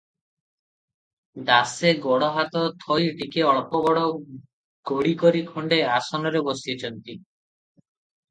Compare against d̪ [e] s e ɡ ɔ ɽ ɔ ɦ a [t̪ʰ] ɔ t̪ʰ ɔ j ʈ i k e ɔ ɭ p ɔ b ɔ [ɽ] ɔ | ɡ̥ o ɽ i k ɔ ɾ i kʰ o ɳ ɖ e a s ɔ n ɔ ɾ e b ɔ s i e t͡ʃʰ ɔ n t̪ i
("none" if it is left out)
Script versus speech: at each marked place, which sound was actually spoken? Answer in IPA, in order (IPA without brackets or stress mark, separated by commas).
a, t̪, ɽ